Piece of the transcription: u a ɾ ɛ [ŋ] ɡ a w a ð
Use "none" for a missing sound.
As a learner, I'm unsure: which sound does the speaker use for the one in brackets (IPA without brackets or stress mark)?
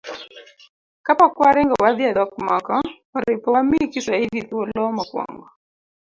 ŋ